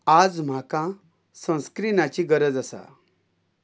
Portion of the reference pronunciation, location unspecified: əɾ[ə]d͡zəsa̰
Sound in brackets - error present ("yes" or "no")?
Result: no